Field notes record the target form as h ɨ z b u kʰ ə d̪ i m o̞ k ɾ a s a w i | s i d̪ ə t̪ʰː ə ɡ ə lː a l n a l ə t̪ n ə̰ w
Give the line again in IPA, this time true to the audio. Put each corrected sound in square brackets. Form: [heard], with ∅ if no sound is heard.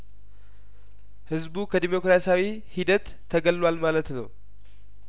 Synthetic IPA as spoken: h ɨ z b u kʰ ə d̪ i m o̞ k ɾ a s a w i | [h] i d̪ ə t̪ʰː ə ɡ ə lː a l [m] a l ə t̪ n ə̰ w

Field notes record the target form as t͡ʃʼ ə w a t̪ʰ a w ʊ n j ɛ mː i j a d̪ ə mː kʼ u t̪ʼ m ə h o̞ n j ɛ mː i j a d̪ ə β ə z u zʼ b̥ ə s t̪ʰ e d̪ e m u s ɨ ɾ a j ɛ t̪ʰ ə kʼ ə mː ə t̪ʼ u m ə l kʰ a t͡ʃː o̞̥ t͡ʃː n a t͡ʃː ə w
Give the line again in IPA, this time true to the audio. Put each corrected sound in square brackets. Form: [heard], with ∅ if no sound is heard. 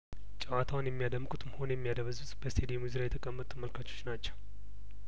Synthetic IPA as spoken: t͡ʃʼ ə w a t̪ʰ a w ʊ n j ɛ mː i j a d̪ ə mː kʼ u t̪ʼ m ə h o̞ n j ɛ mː i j a d̪ ə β ə z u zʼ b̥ ə s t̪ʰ e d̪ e m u [z] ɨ ɾ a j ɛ t̪ʰ ə kʼ ə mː ə t̪ʼ u m ə l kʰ a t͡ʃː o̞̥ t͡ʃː n a t͡ʃː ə w

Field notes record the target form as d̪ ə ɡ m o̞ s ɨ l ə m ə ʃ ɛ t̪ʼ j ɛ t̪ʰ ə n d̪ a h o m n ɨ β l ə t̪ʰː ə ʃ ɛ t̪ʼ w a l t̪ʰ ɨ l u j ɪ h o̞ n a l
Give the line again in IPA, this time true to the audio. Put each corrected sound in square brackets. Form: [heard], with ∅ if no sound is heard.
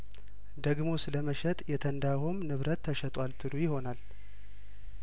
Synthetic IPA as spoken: d̪ ə ɡ m o̞ s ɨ l ə m ə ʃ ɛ t̪ʼ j ɛ t̪ʰ ə n d̪ a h o m n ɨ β [ɾ] ə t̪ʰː ə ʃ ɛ t̪ʼ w a l t̪ʰ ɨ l u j ɪ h o̞ n a l

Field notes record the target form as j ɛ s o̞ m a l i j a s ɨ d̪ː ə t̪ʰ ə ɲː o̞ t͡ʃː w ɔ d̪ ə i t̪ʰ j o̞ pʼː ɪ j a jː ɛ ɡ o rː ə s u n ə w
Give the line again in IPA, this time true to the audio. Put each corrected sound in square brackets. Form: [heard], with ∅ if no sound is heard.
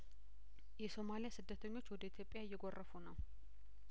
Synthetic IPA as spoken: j ɛ s o̞ m a l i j a s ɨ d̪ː ə t̪ʰ ə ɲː o̞ t͡ʃː w ɔ d̪ ə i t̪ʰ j o̞ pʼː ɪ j a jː ɛ ɡ o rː ə [f] u n ə w

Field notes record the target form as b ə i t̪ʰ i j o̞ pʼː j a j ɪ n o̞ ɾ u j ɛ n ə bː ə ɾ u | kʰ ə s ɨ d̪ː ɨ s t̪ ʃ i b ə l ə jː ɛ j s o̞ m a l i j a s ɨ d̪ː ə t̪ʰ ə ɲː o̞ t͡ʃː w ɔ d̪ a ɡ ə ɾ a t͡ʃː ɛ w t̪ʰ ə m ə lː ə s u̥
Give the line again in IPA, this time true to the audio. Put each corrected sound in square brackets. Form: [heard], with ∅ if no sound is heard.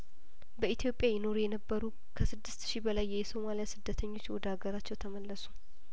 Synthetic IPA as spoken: b ə i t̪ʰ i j o̞ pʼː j a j ɪ n o̞ ɾ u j ɛ n ə bː ə ɾ u | kʰ ə s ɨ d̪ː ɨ s t̪ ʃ i b ə l [a] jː ɛ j s o̞ m a l i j a s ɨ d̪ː ə t̪ʰ ə ɲː o̞ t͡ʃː w ɔ d̪ a ɡ ə ɾ a t͡ʃː ɛ w t̪ʰ ə m ə lː ə s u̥

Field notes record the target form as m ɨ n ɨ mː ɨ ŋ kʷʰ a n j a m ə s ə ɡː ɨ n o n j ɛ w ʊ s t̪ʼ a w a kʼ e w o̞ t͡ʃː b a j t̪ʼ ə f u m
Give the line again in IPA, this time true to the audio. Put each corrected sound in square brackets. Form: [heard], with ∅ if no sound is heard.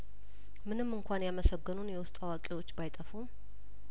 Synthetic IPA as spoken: m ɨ n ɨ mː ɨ ŋ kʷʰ a n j a m ə s ə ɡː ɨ n [u] n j ɛ w ʊ s t̪ʼ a w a kʼ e w o̞ t͡ʃː b a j t̪ʼ ə f u m

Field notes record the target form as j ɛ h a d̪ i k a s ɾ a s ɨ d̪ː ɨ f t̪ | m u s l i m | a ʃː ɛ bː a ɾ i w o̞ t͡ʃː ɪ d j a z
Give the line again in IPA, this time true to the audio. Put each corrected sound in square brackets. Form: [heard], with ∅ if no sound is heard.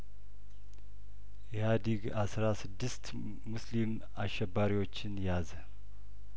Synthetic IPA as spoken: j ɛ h a d̪ i [ɡ] a s ɾ a s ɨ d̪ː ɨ [s] t̪ | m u s l i m | a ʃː ɛ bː a ɾ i w o̞ t͡ʃː ɪ [n] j a z

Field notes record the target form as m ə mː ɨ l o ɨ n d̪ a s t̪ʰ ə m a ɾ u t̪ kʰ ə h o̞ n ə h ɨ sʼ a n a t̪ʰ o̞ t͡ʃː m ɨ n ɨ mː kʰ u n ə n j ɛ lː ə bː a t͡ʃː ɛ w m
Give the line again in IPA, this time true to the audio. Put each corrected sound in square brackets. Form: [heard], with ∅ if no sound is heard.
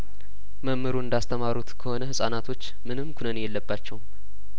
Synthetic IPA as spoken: m ə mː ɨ [ɾ] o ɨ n d̪ a s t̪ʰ ə m a ɾ u t̪ kʰ ə h o̞ n ə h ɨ sʼ a n a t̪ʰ o̞ t͡ʃː m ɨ n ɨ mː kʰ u n ə n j ɛ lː ə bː a t͡ʃː ɛ w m

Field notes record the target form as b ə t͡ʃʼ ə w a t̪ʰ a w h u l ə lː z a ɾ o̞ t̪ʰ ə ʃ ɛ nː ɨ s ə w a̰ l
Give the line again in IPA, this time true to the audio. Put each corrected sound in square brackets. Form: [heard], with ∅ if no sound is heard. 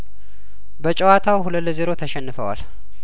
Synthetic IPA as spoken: b ə t͡ʃʼ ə w a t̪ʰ a w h u l ə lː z [e] ɾ o̞ t̪ʰ ə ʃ ɛ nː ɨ [f] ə w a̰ l

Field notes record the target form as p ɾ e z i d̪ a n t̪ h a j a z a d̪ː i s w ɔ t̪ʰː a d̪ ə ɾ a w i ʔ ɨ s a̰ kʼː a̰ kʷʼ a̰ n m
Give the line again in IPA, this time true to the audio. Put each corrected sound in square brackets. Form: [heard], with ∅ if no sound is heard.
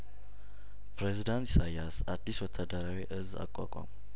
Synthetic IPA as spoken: p ɾ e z i d̪ a n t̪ [s] a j a [s] a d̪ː i s w ɔ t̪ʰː a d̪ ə ɾ a w i ʔ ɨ [z] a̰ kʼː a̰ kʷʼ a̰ [∅] m

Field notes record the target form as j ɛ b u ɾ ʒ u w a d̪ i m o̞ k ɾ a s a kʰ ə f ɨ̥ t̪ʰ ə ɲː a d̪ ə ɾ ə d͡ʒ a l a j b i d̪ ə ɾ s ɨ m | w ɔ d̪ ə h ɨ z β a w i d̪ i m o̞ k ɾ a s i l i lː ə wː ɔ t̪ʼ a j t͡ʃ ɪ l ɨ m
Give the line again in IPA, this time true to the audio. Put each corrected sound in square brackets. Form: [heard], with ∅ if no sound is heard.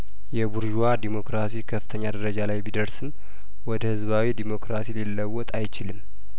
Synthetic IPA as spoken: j ɛ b u ɾ ʒ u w a d̪ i m o̞ k ɾ a s [i] kʰ ə f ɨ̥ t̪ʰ ə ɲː a d̪ ə ɾ ə d͡ʒ a l a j b i d̪ ə ɾ s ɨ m | w ɔ d̪ ə h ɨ z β a w i d̪ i m o̞ k ɾ a s i l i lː ə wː ɔ t̪ʼ a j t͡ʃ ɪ l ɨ m

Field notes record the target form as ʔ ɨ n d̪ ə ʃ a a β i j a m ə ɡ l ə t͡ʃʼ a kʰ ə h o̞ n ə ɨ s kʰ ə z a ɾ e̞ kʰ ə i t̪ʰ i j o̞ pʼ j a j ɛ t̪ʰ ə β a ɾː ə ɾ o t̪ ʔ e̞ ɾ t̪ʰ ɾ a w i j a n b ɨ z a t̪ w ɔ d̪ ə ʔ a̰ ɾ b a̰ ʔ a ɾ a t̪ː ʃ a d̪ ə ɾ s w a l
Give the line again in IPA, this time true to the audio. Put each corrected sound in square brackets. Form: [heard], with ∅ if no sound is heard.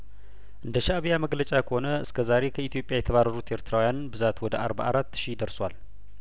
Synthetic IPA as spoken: ʔ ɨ n d̪ ə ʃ a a β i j a m ə ɡ l ə t͡ʃʼ a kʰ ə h o̞ n ə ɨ s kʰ ə z a ɾ e̞ kʰ ə i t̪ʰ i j o̞ pʼ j a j ɛ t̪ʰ ə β a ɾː ə ɾ [u] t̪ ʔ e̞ ɾ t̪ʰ ɾ a w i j a n b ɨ z a t̪ w ɔ d̪ ə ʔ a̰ ɾ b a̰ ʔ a ɾ a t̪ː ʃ [i] d̪ ə ɾ s w a l

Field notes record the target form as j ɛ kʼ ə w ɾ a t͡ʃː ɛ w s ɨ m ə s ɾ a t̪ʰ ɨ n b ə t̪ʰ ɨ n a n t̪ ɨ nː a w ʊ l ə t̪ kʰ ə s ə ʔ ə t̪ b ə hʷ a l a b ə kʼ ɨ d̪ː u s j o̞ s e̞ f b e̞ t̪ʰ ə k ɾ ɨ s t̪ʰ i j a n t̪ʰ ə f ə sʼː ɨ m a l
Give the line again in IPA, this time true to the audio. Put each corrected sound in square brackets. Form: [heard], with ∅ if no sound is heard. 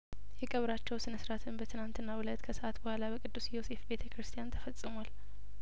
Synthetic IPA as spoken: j ɛ kʼ ə [β] ɾ a t͡ʃː ɛ w s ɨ [n] ə s ɾ a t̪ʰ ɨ n b ə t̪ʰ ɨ n a n t̪ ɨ nː a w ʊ l ə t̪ kʰ ə s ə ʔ [a] t̪ b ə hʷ a l a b ə kʼ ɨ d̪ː u s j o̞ s e̞ f b e̞ t̪ʰ ə k ɾ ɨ s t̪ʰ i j a n t̪ʰ ə f ə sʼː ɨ m a l

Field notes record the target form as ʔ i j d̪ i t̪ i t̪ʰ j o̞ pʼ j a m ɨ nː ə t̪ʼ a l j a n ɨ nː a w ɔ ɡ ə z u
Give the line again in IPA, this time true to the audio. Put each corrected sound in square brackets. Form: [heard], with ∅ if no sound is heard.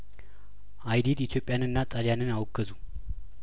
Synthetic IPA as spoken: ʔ [a] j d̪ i [d̪] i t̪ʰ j o̞ pʼ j a [n] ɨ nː [a] t̪ʼ a l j a n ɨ [n] a w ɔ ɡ ə z u

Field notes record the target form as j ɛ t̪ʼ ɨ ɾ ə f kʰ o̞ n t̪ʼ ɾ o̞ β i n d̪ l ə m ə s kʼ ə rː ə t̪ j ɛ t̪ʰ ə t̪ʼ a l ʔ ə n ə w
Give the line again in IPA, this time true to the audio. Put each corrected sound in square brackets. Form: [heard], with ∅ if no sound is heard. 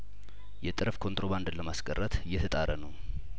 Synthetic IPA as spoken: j ɛ t̪ʼ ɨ ɾ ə f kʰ o̞ n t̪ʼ ɾ o̞ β [a] n d̪ l ə m [a] s kʼ ə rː ə t̪ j ɛ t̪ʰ ə t̪ʼ a [ɾ] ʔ ə n ə w

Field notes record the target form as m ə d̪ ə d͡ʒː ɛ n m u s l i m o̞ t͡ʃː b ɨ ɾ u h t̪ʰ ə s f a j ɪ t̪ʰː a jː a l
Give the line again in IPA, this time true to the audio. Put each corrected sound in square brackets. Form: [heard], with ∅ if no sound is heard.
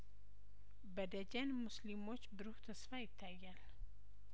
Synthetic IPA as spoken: [b] ə d̪ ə [d͡ʒ] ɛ n m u s l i m o̞ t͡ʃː b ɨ ɾ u h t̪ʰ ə s f a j ɪ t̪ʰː a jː a l

